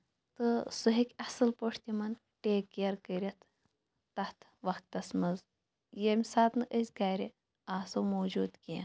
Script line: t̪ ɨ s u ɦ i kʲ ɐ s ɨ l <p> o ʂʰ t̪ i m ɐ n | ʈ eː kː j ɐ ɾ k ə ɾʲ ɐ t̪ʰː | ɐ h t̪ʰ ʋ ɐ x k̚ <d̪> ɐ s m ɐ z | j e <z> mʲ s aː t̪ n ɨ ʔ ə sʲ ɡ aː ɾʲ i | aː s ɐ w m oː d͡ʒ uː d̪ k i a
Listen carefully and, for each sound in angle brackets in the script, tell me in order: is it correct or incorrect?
correct, incorrect, incorrect

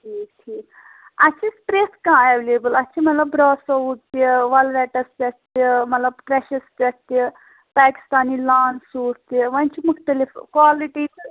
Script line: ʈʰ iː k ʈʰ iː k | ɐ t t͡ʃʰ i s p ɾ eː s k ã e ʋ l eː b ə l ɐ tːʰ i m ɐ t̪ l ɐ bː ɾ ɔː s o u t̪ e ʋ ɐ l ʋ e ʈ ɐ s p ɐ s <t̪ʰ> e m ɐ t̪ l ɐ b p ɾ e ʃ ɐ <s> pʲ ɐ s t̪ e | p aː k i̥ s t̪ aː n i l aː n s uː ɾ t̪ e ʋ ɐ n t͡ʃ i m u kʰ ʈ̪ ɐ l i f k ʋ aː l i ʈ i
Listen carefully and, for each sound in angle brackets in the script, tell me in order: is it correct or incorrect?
incorrect, correct

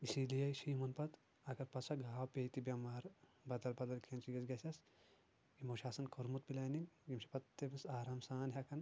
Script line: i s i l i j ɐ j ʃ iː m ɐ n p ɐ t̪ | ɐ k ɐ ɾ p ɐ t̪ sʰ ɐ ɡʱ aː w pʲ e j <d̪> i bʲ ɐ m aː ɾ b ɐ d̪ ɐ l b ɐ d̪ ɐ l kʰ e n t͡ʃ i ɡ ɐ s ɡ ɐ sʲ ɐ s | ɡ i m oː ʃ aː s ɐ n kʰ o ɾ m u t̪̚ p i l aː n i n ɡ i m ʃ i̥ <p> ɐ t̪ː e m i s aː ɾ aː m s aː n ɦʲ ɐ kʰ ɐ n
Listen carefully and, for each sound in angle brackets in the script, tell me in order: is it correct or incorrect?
incorrect, correct

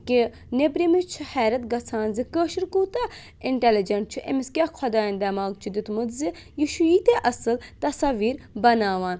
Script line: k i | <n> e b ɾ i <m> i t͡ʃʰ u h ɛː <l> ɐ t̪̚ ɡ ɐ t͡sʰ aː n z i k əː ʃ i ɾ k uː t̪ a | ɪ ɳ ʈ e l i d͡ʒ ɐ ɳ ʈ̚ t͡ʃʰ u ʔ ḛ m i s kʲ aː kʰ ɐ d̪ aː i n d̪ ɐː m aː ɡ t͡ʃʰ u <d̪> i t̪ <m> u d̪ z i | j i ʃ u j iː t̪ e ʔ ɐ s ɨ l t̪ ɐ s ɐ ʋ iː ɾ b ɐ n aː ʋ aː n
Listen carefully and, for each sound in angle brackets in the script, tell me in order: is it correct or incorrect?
correct, correct, incorrect, correct, correct

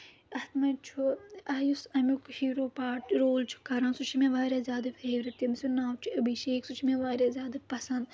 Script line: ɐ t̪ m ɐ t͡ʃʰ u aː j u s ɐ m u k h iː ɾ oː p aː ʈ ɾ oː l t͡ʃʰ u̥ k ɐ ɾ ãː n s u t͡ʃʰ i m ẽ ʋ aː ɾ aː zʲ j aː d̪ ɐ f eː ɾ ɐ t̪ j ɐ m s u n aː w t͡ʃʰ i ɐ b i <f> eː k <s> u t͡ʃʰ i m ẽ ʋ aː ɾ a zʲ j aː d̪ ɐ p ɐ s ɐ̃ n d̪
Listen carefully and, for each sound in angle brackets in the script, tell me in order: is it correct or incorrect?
incorrect, correct

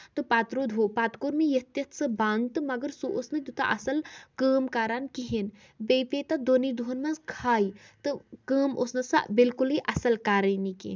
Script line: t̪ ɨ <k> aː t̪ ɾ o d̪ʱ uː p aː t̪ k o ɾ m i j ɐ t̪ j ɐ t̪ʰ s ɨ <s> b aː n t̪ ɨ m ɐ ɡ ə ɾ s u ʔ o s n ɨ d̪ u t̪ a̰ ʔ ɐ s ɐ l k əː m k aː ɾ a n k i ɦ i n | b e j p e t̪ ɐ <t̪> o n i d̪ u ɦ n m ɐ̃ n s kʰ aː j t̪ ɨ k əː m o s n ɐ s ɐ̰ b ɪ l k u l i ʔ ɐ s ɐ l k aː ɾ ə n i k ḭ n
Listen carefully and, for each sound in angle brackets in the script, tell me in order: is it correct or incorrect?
incorrect, incorrect, incorrect

